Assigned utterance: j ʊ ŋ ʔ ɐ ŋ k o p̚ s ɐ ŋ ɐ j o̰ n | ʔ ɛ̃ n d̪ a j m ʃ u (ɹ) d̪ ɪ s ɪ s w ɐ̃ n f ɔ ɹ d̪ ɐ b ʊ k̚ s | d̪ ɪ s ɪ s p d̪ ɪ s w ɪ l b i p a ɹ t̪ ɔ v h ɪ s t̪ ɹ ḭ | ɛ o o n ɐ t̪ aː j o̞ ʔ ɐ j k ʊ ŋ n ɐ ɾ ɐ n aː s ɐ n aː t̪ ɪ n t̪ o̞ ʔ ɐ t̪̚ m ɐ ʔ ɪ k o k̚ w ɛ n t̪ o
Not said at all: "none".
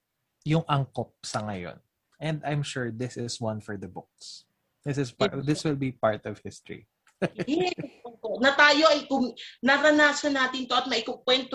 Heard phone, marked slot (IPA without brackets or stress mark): ɹ